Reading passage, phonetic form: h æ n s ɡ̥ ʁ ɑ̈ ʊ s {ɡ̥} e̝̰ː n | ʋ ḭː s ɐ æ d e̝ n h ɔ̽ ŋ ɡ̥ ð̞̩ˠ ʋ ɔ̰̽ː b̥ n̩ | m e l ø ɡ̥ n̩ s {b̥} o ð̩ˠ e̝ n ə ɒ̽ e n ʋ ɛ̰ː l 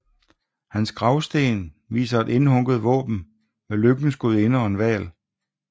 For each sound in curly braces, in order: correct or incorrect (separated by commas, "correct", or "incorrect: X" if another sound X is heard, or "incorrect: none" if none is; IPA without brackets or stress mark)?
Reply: incorrect: d̥, incorrect: ɡ̥